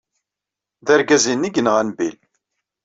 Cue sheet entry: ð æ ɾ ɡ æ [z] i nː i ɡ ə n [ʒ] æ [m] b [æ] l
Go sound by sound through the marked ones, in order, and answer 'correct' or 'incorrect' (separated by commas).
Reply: correct, incorrect, incorrect, incorrect